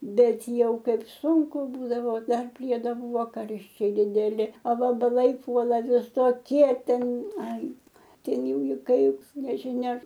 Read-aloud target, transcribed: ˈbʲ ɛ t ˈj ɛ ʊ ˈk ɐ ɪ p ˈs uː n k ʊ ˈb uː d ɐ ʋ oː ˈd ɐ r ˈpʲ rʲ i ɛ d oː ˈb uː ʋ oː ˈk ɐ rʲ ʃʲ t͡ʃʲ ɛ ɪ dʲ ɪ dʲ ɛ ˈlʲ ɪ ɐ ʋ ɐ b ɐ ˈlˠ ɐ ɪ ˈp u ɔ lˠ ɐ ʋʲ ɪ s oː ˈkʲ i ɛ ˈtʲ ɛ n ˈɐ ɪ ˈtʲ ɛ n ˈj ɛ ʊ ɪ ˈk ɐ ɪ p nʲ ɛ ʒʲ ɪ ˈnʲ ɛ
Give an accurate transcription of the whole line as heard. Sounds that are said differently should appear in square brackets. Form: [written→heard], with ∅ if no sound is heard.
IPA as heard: ˈbʲ ɛ t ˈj ɛ ʊ ˈk ɐ ɪ p ˈs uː [n→ŋ] k ʊ ˈb uː d ɐ ʋ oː ˈd ɐ r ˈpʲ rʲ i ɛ d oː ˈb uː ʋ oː ˈk ɐ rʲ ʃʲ t͡ʃʲ ɛ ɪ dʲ ɪ dʲ ɛ ˈlʲ ɪ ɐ ʋ ɐ b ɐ ˈlˠ ɐ ɪ ˈp u ɔ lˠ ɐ ʋʲ ɪ s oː ˈkʲ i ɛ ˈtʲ ɛ n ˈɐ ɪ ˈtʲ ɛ n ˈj ɛ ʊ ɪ ˈk ɐ ɪ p nʲ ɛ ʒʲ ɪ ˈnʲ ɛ